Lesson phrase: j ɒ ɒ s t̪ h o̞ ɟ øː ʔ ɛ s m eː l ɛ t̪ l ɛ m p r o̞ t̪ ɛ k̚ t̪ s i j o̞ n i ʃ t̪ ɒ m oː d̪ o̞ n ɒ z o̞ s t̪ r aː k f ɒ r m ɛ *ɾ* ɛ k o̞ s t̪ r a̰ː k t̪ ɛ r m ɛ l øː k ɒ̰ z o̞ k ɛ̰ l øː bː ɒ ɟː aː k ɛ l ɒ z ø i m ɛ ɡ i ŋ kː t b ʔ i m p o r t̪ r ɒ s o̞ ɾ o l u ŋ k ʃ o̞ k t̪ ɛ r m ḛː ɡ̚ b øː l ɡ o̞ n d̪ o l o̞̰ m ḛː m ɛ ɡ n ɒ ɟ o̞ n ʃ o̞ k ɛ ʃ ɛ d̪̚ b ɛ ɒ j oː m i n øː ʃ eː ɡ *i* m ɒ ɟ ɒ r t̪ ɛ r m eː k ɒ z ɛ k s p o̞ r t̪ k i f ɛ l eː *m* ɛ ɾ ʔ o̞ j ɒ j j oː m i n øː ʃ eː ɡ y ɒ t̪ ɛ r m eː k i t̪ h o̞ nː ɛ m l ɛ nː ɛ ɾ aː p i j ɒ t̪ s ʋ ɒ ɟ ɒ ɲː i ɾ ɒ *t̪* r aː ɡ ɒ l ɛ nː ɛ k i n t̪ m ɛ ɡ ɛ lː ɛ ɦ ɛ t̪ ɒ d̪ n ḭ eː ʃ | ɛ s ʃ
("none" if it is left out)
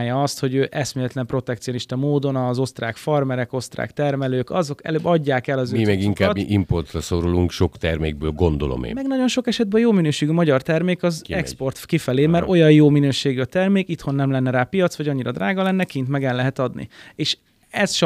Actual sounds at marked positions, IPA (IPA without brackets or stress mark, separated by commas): ɾ, y, m, d̪